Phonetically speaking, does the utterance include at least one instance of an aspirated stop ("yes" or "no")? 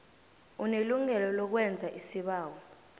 no